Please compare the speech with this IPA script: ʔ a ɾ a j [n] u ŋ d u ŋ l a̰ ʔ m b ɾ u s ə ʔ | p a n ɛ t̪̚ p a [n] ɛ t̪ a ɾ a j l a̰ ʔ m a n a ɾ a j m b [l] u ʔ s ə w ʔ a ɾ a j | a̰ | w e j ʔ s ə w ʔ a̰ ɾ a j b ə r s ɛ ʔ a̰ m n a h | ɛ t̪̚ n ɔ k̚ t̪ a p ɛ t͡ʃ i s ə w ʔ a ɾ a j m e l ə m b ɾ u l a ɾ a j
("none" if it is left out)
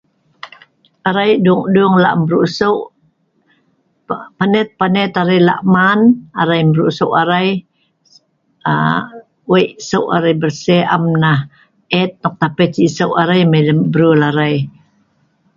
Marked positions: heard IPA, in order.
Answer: d, n, ɾ

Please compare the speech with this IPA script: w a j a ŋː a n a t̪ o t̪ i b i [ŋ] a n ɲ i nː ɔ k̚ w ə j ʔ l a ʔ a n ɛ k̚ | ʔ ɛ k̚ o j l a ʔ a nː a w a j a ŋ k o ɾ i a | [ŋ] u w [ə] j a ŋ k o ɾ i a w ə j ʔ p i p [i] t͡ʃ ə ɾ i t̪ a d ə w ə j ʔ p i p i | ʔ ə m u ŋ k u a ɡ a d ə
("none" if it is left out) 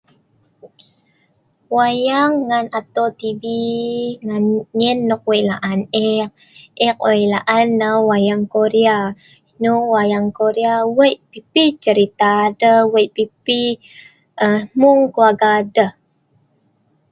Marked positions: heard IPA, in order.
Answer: ŋ, n, a, i

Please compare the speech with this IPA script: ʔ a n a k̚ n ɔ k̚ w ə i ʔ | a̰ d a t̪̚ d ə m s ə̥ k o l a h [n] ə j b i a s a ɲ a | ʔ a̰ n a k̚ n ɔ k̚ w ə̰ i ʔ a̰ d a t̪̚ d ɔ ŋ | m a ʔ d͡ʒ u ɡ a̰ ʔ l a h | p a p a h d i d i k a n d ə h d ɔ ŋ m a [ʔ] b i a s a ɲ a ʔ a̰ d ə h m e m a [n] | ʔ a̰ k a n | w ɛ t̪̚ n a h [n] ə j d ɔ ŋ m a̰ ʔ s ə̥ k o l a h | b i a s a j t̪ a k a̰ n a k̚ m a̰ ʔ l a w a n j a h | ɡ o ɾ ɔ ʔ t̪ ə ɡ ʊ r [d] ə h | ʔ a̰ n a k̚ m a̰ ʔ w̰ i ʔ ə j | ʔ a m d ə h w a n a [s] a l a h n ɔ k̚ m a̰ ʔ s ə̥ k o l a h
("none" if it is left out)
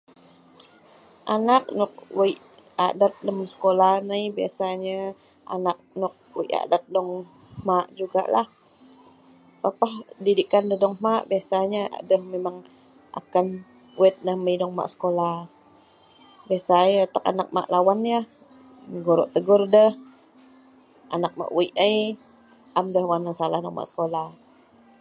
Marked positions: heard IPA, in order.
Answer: n, ʔ, ŋ, m, d, s

